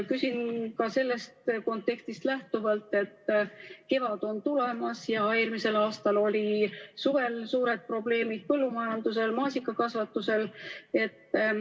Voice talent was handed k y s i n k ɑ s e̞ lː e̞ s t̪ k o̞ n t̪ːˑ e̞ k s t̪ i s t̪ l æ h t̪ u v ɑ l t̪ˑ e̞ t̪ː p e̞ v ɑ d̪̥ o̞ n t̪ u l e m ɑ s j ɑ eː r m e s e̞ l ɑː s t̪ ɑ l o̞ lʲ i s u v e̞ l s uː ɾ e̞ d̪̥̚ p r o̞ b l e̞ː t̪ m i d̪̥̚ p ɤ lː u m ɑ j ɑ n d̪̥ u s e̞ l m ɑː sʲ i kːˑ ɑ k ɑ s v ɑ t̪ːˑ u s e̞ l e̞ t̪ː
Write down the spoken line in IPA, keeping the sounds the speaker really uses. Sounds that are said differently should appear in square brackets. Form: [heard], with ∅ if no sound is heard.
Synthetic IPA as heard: k y s i n k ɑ s e̞ lː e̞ s t̪ k o̞ n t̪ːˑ e̞ k s t̪ i s t̪ l æ h t̪ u v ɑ l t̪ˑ e̞ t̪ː [k] e̞ v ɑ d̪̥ o̞ n t̪ u l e m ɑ s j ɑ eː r m [i] s e̞ l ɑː s t̪ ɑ l o̞ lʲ i s u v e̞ l s uː ɾ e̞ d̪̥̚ p r o̞ b l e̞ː [∅] m i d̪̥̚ p ɤ lː u m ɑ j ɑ n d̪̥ u s e̞ l m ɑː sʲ i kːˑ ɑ k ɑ s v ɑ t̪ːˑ u s e̞ l e̞ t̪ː